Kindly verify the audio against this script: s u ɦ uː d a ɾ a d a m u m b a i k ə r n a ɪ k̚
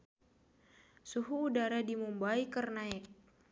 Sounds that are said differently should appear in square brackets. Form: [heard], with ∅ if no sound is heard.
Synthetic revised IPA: s u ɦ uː d a ɾ a d [i] m u m b a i k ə r n a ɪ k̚